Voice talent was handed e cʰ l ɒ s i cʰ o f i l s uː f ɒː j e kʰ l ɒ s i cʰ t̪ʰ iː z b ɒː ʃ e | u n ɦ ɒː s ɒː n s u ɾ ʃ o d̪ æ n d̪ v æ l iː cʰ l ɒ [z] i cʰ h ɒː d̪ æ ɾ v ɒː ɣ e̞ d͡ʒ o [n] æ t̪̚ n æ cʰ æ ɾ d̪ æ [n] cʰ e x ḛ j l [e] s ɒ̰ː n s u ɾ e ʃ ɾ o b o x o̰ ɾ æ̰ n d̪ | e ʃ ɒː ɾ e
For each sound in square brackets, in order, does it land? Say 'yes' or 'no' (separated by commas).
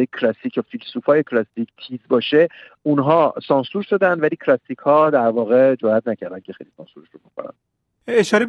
no, no, yes, no